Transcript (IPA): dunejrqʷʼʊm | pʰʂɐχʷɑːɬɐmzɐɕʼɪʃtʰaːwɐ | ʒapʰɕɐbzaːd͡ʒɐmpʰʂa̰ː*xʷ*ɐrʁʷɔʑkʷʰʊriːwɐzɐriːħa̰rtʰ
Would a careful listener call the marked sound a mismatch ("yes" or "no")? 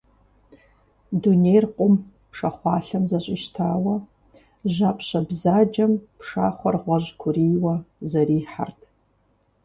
yes